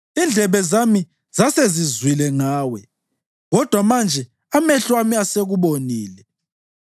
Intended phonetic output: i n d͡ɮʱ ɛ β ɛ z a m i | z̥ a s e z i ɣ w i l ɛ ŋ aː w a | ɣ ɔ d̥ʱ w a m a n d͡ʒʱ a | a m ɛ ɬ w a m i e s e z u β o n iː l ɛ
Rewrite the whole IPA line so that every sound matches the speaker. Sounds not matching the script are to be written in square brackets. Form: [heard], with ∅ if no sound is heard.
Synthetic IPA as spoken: i n d͡ɮʱ ɛ β ɛ z a m i | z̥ a s e z i [z] w i l ɛ ŋ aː w [ɛ] | ɣ ɔ d̥ʱ w a m a n d͡ʒʱ [ɛ] | a m ɛ ɬ w a m i [a] s e [ɣ] u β o n iː l ɛ